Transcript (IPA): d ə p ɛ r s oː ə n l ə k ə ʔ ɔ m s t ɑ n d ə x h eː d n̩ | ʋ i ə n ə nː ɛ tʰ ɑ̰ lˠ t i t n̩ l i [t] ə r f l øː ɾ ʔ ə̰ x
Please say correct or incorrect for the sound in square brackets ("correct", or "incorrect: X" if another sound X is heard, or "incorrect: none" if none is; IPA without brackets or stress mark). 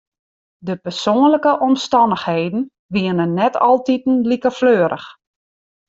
incorrect: k